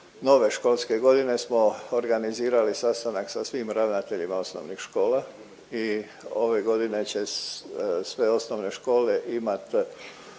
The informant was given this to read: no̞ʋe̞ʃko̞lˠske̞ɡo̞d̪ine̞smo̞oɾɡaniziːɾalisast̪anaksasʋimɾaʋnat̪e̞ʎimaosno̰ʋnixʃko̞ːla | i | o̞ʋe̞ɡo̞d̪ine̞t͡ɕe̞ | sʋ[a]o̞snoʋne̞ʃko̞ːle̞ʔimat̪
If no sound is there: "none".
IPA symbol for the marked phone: e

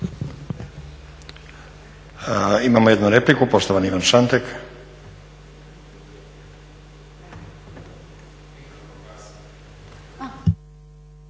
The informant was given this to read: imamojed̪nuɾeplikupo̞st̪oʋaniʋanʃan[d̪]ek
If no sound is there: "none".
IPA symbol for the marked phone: t̪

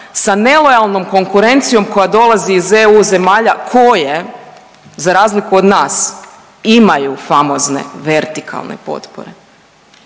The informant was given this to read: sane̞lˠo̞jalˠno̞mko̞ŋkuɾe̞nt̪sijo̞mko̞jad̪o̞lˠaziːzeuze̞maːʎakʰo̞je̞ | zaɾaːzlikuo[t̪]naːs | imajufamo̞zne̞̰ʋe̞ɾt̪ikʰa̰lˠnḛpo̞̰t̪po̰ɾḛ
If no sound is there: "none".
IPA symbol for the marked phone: d̪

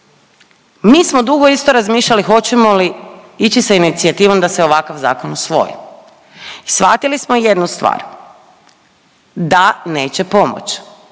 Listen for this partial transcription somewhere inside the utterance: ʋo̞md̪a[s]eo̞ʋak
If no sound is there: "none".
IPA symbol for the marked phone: s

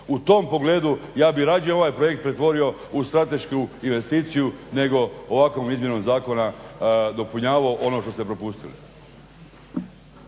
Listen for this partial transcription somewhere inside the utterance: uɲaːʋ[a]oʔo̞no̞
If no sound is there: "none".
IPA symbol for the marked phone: a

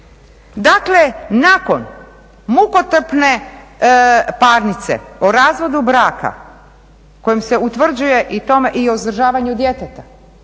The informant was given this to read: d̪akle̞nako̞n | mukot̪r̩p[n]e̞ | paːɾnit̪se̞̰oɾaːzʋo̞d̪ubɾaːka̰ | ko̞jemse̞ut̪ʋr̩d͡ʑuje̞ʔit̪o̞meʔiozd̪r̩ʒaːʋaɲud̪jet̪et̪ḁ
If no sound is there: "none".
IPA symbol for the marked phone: n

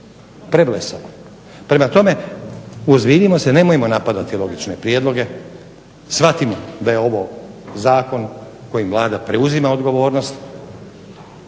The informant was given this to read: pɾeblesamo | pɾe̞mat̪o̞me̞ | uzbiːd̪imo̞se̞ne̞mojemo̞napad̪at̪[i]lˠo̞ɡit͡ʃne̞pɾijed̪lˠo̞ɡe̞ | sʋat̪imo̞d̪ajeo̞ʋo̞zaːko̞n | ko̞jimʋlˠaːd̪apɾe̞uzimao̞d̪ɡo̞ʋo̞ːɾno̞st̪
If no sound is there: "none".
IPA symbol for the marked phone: i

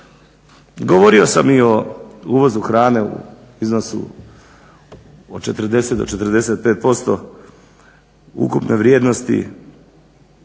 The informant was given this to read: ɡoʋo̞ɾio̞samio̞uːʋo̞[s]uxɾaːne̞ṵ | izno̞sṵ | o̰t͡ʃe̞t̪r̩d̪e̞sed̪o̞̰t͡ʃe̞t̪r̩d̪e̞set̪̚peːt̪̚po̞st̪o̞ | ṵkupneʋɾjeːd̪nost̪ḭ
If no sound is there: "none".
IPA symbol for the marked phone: z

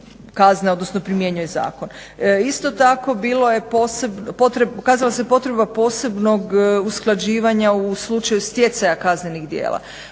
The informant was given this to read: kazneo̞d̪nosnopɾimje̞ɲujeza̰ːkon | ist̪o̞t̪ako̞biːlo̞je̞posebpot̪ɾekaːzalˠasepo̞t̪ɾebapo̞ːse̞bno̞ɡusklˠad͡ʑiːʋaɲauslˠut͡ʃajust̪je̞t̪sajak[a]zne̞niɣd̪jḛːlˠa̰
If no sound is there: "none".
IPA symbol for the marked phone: a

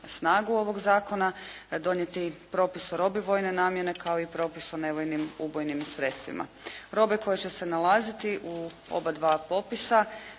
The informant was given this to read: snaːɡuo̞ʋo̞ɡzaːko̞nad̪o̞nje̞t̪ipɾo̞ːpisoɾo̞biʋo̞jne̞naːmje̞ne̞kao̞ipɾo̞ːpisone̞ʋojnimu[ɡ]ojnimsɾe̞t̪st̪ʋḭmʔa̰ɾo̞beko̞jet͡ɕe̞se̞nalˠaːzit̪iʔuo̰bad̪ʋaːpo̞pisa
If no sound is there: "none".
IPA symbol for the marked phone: b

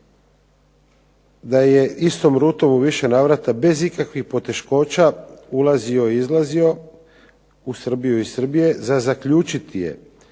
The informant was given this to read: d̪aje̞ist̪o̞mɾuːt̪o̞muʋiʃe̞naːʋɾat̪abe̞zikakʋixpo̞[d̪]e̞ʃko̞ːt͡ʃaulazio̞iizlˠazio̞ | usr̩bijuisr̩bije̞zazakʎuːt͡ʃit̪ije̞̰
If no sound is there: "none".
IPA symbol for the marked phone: t̪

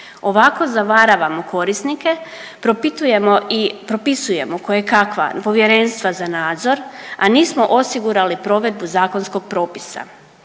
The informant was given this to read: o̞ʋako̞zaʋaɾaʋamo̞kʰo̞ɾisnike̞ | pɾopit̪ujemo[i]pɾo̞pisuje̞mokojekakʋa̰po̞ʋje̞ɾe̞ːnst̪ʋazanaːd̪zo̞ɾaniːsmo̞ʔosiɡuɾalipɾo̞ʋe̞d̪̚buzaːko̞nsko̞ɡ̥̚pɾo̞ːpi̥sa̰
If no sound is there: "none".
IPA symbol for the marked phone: i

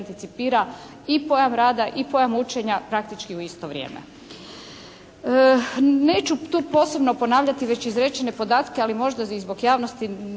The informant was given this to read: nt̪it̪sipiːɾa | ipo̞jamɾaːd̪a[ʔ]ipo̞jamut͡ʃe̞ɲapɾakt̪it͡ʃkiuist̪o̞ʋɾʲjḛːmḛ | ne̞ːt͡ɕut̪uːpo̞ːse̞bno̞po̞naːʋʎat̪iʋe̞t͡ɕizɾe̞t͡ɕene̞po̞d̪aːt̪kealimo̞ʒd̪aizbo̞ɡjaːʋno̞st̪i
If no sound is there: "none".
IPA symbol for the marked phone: ʔ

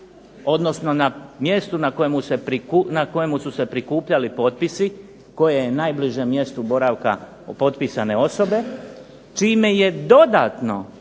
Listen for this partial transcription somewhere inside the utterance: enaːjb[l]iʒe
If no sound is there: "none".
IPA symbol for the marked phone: l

